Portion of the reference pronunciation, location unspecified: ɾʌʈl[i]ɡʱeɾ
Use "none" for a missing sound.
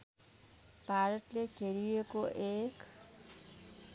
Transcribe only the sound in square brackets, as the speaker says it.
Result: e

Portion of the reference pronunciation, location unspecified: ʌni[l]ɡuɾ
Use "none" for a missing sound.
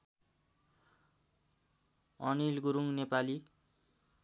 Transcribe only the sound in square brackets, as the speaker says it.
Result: l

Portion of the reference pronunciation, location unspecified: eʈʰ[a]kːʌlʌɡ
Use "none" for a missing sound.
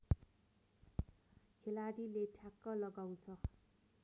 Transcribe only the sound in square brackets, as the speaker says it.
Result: a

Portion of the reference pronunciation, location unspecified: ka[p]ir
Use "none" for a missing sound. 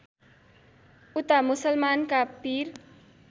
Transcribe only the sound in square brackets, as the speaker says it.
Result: p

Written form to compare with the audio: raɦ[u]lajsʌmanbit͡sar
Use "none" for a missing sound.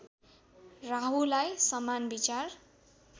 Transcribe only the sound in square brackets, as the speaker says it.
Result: u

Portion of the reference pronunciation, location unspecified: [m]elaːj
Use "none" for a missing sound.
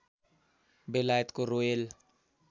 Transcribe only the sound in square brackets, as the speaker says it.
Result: b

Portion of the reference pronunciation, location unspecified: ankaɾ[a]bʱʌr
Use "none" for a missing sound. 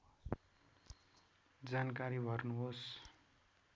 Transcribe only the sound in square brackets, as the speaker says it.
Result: i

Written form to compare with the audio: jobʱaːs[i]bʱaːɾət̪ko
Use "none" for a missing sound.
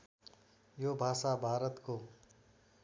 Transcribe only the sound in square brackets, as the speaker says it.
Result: a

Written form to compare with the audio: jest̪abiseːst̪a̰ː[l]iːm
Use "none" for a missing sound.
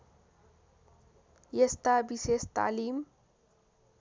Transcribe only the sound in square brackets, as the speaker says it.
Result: l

